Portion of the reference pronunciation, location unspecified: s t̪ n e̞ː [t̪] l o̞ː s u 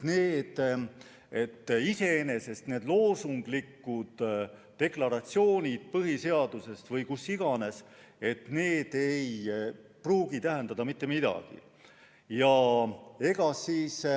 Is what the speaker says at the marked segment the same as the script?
no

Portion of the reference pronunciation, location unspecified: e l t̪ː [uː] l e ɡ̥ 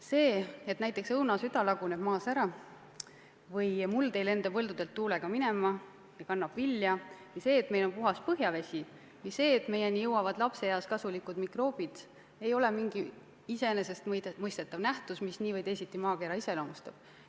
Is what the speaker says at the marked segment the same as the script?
yes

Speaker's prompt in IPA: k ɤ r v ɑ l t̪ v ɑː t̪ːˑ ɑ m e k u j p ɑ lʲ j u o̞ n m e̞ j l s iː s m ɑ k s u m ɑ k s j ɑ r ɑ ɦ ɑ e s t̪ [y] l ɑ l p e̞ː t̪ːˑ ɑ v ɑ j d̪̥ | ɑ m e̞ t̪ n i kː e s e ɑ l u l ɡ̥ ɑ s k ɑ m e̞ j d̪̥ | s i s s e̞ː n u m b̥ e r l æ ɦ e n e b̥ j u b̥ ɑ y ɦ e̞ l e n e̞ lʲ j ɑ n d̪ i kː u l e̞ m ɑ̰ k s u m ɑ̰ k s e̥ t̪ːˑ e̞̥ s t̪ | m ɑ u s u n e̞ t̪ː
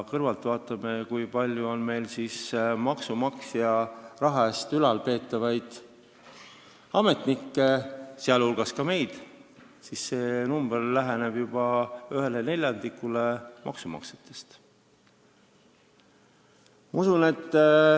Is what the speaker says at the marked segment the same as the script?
yes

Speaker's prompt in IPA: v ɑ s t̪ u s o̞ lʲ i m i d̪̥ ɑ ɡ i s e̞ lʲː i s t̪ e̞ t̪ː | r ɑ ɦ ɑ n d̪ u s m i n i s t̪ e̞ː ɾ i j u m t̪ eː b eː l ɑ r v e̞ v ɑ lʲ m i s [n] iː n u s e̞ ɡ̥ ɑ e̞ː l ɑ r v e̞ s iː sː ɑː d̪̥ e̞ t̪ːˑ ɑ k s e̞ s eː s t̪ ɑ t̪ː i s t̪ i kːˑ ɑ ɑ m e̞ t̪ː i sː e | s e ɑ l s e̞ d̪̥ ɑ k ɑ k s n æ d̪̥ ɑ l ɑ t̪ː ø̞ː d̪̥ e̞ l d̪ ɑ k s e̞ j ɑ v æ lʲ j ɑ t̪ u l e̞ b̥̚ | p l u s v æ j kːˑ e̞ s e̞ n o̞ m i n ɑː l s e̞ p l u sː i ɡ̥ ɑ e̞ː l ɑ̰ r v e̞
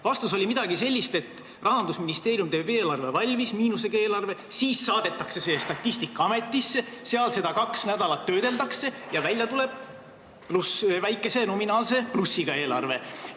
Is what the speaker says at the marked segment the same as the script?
no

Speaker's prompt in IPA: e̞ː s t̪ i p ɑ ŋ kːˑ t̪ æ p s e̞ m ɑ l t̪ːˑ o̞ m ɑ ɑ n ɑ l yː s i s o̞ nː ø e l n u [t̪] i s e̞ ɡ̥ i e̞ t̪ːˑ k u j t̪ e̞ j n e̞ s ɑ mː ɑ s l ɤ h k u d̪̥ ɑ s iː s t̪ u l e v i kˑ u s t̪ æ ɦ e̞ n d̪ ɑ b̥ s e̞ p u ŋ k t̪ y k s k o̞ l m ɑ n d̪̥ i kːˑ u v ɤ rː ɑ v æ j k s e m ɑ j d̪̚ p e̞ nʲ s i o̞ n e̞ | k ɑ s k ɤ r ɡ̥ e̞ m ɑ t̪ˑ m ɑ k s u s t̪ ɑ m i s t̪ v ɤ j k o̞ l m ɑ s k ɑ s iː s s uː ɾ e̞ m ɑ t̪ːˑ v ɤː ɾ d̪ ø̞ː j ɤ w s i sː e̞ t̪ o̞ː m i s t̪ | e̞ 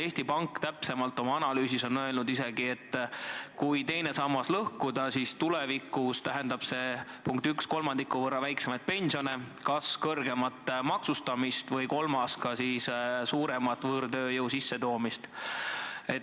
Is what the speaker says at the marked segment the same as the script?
no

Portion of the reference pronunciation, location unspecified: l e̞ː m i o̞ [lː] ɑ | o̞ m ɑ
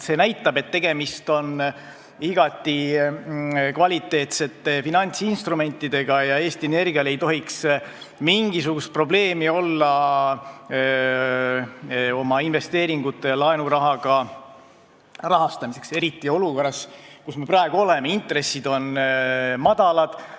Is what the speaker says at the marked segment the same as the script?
yes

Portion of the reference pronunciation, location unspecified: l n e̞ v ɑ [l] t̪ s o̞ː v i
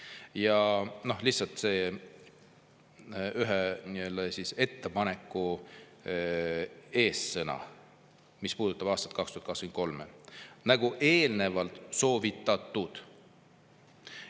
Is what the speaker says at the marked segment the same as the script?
yes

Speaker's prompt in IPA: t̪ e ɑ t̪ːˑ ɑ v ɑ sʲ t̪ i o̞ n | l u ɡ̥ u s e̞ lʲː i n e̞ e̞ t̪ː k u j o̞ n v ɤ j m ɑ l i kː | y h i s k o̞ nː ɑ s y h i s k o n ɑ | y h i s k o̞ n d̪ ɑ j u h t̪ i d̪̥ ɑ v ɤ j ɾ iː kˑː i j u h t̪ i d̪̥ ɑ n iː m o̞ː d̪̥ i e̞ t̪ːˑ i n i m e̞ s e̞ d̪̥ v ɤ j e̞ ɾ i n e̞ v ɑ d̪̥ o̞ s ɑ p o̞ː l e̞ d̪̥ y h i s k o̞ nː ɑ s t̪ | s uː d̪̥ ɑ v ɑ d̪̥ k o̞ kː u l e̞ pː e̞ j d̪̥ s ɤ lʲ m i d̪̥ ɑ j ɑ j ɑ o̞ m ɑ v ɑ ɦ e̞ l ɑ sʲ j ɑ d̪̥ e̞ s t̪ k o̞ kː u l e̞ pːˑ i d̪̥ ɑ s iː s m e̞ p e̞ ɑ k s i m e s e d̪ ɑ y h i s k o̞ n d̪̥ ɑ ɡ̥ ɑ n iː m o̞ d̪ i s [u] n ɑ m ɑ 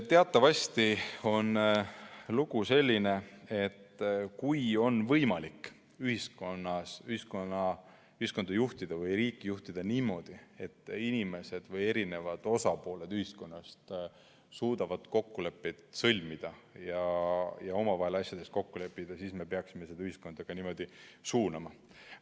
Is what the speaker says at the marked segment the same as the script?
no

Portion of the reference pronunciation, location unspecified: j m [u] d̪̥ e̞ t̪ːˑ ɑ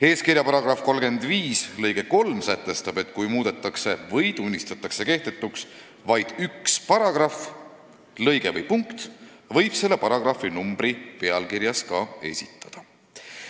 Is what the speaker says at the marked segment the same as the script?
no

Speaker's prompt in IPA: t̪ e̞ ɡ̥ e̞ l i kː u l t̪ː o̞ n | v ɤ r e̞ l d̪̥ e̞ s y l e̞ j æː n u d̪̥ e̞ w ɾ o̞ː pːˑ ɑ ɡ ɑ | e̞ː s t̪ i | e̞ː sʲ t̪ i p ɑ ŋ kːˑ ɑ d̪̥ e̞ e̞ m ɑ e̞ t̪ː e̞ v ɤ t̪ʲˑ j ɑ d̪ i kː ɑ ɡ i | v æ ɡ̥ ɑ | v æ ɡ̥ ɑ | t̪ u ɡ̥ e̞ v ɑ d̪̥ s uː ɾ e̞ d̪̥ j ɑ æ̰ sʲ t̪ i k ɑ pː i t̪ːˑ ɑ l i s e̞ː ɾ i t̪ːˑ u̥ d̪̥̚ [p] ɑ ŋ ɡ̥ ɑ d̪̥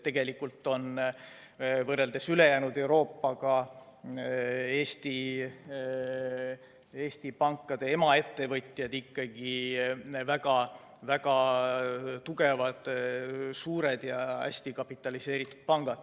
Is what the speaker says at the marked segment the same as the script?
yes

